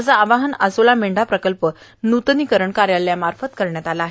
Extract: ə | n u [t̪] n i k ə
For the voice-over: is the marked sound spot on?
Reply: yes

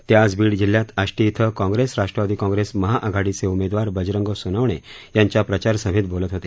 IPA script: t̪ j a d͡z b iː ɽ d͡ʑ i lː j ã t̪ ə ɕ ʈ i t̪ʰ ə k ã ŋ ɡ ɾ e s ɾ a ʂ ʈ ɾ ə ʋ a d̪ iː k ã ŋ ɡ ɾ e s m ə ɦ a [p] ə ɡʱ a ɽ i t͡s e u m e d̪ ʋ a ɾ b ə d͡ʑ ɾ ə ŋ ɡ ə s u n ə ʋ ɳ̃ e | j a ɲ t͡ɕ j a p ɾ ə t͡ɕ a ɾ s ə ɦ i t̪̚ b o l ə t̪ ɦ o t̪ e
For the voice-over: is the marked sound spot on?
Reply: no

